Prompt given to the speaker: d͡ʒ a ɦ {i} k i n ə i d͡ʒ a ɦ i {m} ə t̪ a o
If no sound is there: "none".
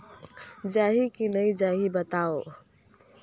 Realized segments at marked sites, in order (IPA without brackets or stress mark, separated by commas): i, b